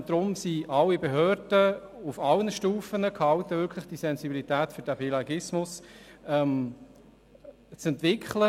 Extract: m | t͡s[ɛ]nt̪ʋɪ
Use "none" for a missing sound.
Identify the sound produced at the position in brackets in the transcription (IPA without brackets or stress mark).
ɛ